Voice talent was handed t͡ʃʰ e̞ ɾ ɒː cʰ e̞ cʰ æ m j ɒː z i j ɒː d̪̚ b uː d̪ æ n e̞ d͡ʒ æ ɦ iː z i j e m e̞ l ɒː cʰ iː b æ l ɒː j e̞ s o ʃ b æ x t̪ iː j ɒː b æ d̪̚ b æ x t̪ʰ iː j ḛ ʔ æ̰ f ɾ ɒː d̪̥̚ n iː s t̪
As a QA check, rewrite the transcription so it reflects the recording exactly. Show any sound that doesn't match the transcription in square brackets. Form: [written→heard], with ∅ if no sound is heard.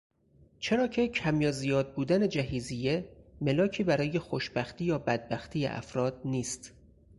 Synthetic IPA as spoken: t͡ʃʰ e̞ ɾ ɒː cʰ e̞ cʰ æ m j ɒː z i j ɒː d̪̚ b uː d̪ æ n e̞ d͡ʒ æ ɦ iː z i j e m e̞ l ɒː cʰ iː b æ [l→ɾ] ɒː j e̞ [s→x] o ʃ b æ x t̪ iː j ɒː b æ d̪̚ b æ x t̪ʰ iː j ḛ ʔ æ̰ f ɾ ɒː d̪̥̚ n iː s t̪